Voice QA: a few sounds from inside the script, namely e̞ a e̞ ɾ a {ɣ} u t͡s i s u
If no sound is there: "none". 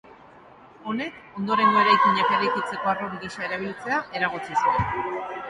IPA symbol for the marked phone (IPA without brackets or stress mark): ɣ